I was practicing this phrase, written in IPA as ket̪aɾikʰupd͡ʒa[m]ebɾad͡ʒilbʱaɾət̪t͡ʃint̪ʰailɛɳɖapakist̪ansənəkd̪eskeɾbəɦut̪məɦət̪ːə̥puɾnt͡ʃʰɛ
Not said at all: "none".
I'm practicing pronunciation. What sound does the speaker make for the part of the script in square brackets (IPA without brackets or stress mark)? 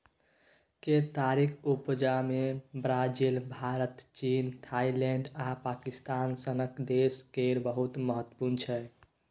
m